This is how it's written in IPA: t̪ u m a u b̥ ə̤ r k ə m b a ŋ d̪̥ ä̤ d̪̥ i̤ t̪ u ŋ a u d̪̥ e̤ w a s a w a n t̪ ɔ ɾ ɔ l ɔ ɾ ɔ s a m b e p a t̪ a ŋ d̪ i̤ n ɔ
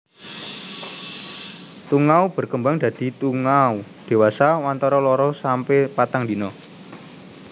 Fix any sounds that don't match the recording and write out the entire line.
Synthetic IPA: t̪ u ŋ a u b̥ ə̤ r k ə m b a ŋ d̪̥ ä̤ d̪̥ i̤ t̪ u ŋ a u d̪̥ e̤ w a s a w a n t̪ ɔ ɾ ɔ l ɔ ɾ ɔ s a m p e p a t̪ a ŋ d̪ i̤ n ɔ